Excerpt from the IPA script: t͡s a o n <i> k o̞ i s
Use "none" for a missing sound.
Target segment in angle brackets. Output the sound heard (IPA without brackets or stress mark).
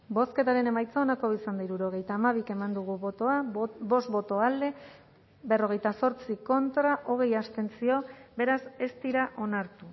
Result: a